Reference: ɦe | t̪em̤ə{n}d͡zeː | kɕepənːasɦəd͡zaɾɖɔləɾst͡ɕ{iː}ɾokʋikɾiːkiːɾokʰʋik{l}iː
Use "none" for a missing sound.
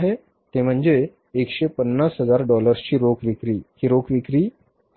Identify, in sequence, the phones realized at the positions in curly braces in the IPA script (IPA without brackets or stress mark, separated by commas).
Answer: ɳ, iː, ɾ